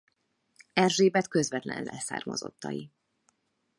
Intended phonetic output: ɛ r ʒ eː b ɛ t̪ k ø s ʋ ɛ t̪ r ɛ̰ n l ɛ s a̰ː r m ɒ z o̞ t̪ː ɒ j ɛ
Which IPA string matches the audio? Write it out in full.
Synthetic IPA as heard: ɛ r ʒ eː b ɛ t̪ k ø z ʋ ɛ t̪ l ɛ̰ n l ɛ s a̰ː r m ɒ z o̞ t̪ː ɒ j i

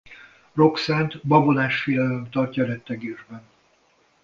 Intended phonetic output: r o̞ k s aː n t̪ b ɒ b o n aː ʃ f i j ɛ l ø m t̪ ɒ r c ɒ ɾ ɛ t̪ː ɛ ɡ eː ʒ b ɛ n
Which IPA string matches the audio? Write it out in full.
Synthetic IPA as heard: r o̞ k s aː n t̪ b ɒ b o n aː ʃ f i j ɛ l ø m t̪ ɒ r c ɒ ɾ ɛ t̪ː ɛ ɡ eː ʒ b ɛ n

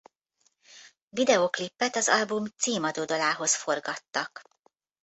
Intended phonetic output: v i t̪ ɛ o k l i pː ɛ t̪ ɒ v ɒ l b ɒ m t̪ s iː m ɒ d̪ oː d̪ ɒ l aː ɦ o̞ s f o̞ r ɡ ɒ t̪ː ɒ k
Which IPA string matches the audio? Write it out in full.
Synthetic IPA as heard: v i d̪ ɛ o k l i pː ɛ t̪ ɒ z ɒ l b u m t̪ s iː m ɒ d̪ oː d̪ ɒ l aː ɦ o̞ s f o̞ r ɡ ɒ t̪ː ɒ k

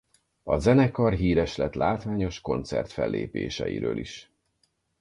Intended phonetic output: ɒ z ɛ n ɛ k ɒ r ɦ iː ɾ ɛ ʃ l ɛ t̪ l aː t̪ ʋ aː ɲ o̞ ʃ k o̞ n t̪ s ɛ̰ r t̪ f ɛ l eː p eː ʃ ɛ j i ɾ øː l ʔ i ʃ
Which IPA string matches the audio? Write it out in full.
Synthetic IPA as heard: ɒ z ɛ n ɛ k ɒ r ɦ iː ɾ ɛ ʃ l ɛ t̪ l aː t̪ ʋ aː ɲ o̞ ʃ k o̞ n t̪ s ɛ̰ r t̪ f ɛ lː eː p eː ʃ ɛ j i ɾ øː l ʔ i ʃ

